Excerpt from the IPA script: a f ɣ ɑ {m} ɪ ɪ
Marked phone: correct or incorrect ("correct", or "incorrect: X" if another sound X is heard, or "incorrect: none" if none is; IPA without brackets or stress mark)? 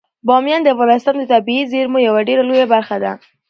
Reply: incorrect: n